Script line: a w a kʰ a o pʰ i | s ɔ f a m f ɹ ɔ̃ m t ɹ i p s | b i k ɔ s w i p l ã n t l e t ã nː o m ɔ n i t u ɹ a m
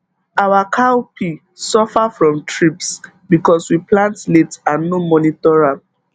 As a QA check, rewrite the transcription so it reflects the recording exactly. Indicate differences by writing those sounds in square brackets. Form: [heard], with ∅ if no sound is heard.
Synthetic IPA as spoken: a w a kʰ a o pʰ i | s ɔ f a [∅] f ɹ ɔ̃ m t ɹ i p s | b i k ɔ s w i p l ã n t l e t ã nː o m ɔ n i t [ɔ] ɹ a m